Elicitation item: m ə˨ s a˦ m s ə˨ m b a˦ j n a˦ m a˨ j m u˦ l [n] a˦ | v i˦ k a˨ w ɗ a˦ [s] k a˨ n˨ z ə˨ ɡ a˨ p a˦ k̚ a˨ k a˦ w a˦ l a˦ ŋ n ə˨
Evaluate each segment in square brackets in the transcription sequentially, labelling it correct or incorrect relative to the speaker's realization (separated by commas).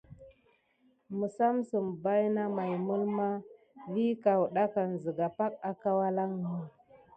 incorrect, incorrect